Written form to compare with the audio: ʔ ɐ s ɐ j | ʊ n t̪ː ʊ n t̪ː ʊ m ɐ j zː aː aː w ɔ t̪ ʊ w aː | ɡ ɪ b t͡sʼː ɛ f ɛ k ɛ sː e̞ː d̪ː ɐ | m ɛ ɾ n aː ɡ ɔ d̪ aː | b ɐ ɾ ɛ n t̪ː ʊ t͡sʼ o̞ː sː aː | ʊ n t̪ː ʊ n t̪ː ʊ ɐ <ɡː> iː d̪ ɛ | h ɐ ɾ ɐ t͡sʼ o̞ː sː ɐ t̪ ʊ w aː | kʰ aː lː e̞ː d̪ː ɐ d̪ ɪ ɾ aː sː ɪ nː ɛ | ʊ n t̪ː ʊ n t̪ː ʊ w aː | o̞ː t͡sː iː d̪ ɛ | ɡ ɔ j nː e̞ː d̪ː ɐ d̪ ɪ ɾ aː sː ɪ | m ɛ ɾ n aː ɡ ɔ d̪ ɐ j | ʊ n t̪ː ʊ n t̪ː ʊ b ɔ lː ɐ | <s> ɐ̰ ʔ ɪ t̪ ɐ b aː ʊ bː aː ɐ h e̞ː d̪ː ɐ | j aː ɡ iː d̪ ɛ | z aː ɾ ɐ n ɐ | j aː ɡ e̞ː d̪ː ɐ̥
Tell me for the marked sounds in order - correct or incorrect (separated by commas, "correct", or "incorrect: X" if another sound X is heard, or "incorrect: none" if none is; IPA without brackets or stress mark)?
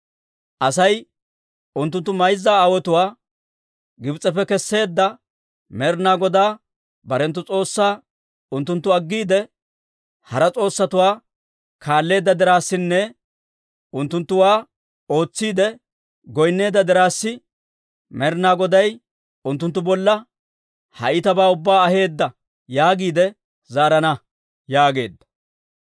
correct, incorrect: h